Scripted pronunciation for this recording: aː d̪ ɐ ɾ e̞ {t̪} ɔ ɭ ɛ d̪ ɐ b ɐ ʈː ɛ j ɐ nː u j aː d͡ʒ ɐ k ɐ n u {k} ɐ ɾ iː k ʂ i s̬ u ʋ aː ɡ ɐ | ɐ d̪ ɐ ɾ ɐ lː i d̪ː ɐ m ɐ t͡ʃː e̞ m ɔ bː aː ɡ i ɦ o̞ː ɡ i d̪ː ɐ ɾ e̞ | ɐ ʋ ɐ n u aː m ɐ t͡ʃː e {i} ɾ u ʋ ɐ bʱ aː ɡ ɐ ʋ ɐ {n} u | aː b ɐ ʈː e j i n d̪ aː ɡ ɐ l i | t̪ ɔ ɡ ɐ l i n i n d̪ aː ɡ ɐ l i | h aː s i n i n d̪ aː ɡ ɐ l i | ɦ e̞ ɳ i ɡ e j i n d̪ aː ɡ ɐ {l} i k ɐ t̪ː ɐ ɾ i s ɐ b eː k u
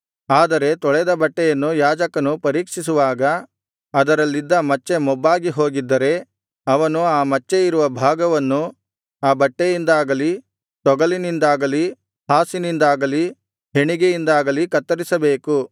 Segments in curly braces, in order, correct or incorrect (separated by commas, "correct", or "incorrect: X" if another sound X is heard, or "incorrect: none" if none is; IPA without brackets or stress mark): correct, incorrect: p, correct, incorrect: nː, correct